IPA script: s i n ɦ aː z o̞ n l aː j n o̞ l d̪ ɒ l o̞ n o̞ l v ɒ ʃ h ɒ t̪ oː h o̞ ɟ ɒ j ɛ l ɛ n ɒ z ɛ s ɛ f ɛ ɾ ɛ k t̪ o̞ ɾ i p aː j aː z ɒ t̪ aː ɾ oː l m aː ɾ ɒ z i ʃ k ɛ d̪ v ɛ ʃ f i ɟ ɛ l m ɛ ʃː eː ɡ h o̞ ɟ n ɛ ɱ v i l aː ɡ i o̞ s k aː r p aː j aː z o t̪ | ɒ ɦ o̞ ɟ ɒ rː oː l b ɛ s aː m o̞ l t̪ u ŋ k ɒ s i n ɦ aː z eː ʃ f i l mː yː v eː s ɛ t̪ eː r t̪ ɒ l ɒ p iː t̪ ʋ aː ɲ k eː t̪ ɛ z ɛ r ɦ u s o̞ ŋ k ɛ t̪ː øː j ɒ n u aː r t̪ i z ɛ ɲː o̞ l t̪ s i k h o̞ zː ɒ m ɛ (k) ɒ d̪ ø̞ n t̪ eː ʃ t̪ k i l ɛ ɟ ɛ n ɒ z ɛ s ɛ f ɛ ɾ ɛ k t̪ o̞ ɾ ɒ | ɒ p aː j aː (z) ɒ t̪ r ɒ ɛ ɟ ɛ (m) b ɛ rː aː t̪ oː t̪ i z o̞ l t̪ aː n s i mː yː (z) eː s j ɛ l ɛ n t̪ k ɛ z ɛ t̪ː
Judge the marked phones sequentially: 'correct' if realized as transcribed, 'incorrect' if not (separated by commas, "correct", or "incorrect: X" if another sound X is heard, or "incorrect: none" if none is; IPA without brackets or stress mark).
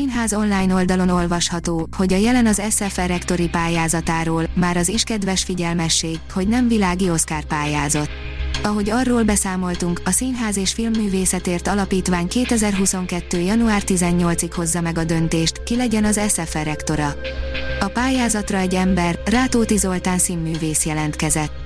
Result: incorrect: ɡ, correct, correct, incorrect: v